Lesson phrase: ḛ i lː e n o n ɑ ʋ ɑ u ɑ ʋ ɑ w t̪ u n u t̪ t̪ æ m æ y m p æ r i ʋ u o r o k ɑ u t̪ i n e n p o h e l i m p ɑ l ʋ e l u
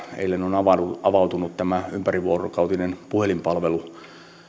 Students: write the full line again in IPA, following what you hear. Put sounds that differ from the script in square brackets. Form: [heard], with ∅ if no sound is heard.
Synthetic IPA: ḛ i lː e n o n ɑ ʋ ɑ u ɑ ʋ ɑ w t̪ u n u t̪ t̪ æ m æ y m p æ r i ʋ u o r o k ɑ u t̪ i n e n p [u] h e l i m p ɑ l ʋ e l u